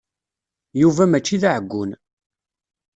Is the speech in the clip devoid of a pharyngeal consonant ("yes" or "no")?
no